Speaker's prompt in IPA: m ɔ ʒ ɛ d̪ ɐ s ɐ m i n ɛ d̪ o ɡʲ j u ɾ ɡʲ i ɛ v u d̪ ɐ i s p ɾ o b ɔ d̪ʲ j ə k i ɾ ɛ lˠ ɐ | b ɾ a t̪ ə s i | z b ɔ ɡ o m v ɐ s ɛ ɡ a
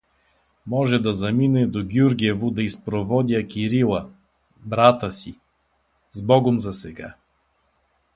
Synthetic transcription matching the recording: m ɔ ʒ ɛ d̪ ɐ z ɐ m i n ɛ d̪ o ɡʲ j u ɾ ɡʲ i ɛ v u d̪ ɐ i s p ɾ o v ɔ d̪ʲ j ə k i ɾ i lˠ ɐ | b ɾ a t̪ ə s i | z b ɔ ɡ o m z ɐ s ɛ ɡ a

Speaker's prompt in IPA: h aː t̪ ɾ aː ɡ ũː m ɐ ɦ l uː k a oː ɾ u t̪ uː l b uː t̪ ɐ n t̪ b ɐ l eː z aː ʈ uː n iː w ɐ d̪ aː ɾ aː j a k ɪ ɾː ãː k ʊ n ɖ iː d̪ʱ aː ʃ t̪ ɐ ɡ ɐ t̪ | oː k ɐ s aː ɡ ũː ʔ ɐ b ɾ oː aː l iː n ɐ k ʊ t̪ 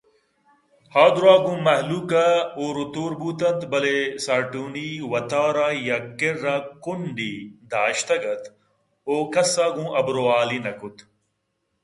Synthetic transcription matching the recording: h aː d̪ ɾ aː ɡ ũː m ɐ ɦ l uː k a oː ɾ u t̪ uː ɾ b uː t̪ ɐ n t̪ b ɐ l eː s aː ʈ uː n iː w ɐ t̪ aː ɾ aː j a k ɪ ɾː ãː k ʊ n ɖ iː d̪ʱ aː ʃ t̪ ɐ ɡ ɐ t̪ | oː k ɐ s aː ɡ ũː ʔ ɐ b ɾ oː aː l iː n ɐ k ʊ t̪

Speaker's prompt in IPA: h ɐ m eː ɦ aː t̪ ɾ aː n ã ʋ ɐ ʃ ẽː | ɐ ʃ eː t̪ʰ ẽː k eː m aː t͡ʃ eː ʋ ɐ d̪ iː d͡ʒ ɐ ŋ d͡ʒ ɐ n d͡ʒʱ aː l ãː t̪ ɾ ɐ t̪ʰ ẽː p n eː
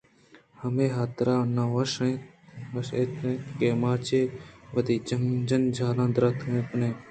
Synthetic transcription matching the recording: h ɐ m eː ɦ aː t̪ ɾ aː n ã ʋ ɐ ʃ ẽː | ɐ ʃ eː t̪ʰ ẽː k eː m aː t͡ʃ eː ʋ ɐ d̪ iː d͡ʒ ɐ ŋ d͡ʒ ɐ n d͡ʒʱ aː l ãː d̪ ɾ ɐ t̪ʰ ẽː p n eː

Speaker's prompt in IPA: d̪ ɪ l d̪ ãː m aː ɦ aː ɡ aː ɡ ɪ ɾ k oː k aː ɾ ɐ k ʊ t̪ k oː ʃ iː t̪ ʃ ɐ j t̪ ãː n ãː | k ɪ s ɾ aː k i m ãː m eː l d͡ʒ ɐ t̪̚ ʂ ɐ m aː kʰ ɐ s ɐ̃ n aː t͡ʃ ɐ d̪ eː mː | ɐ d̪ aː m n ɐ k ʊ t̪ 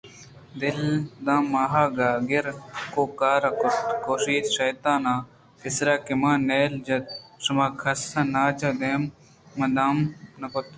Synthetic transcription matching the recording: d̪ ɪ l d̪ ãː m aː ɦ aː ɡ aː ɡ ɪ ɾ k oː k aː ɾ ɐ k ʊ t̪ k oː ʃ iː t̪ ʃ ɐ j t̪ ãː n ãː | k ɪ s ɾ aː k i m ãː n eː l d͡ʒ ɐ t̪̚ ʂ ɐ m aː kʰ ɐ s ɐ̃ n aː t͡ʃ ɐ d̪ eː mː | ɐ d̪ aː m n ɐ k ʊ t̪

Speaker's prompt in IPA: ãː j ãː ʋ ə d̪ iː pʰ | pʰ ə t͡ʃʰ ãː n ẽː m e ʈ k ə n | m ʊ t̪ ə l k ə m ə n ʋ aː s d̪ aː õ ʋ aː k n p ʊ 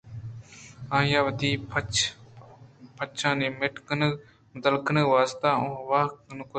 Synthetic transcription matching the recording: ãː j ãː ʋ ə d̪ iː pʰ | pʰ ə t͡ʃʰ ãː n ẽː m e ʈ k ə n | m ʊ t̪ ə l k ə n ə ʋ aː s t̪ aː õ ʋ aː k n k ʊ

